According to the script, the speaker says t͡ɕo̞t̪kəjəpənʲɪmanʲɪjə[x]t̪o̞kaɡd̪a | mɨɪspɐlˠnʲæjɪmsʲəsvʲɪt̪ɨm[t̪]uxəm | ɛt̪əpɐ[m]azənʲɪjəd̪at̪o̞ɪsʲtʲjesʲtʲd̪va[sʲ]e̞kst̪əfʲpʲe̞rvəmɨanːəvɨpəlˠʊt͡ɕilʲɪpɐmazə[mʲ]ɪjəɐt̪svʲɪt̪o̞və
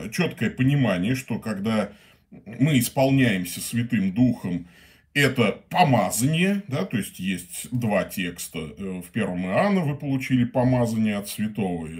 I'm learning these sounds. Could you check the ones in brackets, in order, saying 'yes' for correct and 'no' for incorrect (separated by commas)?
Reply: no, no, yes, no, no